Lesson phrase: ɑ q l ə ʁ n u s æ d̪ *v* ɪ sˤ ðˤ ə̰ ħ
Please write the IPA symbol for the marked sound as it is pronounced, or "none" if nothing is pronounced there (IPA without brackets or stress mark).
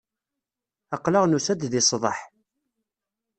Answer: ð